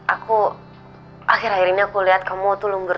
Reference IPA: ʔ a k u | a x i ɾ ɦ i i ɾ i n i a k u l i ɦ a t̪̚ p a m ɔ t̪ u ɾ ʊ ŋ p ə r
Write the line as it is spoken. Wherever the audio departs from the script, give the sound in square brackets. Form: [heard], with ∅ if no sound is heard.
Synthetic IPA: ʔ a k u | a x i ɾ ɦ [a] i ɾ i n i a k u l i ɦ a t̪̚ [k] a m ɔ t̪ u [l] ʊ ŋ [b] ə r